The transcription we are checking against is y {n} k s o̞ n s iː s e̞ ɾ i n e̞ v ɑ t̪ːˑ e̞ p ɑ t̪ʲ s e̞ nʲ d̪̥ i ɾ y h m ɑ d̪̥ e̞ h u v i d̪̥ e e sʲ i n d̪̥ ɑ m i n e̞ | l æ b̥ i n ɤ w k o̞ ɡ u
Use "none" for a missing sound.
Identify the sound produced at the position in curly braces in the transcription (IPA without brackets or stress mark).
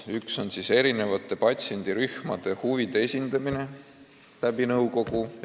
none